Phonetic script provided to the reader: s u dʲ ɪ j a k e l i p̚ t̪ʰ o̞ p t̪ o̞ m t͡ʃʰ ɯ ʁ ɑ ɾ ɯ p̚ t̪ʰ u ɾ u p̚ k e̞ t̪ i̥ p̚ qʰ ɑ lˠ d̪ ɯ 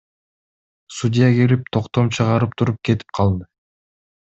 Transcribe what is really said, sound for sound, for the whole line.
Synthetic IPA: s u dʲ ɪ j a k e l i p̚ t̪ʰ o̞ q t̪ o̞ m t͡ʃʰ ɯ ʁ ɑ ɾ ɯ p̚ t̪ʰ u ɾ u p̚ k e̞ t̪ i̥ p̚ qʰ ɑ lˠ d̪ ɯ